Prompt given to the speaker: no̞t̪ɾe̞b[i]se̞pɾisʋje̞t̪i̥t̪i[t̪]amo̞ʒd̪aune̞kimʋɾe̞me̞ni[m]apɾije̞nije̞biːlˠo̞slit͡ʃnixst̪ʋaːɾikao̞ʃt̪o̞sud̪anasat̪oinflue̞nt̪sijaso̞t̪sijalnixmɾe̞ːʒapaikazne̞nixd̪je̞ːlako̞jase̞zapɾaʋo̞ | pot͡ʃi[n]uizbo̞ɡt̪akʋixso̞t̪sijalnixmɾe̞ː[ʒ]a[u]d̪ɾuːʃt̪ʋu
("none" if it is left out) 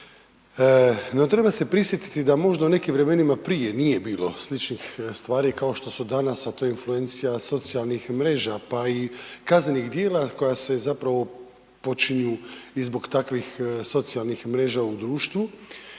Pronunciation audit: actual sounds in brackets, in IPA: a, d̪, m, ɲ, ʒ, u

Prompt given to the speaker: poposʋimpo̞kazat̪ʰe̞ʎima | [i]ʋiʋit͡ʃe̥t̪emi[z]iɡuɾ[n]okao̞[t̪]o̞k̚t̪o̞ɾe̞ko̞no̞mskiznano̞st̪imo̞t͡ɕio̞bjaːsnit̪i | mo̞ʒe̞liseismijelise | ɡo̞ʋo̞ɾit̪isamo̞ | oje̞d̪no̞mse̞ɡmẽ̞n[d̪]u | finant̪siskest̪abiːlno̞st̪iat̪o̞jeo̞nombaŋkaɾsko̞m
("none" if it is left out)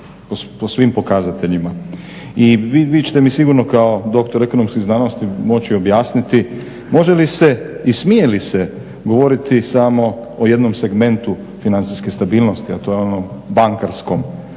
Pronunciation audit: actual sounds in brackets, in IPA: i, s, n, d̪, t̪

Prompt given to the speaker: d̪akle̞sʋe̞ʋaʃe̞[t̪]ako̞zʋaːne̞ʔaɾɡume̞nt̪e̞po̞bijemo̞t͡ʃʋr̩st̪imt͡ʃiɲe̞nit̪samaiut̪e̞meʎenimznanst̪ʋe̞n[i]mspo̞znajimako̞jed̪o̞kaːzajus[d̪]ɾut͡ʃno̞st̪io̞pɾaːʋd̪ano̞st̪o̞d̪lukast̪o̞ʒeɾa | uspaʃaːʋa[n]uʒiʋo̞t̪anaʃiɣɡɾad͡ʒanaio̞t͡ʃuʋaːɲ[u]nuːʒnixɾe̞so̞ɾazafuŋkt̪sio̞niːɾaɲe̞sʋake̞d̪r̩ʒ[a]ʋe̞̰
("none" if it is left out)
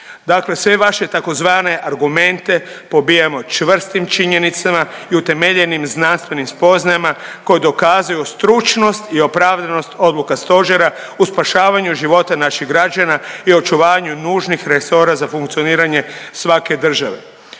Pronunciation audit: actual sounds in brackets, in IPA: t̪, i, t̪, ɲ, u, a

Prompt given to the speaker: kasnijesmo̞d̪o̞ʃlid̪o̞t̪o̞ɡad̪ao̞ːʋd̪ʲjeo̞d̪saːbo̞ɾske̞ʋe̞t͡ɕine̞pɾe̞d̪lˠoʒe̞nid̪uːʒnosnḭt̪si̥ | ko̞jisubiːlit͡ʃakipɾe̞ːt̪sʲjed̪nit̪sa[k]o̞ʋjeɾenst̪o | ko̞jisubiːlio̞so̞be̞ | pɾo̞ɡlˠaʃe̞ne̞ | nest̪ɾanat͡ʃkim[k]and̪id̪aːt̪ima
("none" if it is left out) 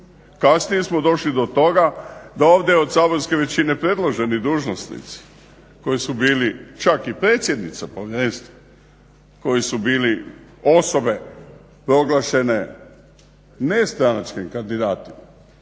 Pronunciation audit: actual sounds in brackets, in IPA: p, k

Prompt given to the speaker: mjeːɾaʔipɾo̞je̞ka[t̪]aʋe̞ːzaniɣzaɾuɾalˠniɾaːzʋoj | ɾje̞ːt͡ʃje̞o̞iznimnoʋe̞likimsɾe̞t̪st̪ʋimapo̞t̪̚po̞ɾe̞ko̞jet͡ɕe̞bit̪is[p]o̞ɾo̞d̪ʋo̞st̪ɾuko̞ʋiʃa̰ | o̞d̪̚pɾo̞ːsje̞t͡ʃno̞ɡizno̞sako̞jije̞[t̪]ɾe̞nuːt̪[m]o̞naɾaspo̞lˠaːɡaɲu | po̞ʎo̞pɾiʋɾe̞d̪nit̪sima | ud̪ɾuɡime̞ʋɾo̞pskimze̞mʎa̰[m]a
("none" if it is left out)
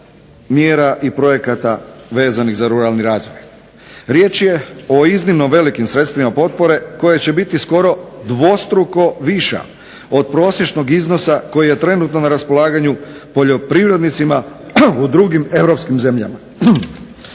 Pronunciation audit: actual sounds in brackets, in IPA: t̪, k, t̪, n, m

